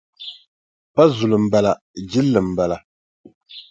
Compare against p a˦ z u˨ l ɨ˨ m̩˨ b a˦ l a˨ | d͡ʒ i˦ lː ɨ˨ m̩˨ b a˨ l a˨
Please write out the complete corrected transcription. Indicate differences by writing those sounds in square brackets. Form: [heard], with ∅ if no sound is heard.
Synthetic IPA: p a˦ z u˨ l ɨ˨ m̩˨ b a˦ l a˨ | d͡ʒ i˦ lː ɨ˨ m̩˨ b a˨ l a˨